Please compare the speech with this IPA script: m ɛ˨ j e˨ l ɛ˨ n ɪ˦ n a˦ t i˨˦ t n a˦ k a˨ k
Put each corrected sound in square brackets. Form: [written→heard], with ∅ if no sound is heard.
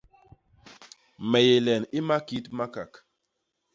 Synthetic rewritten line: m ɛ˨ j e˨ l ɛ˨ n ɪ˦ [n→m] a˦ [t→k] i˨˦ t [n→m] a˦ k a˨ k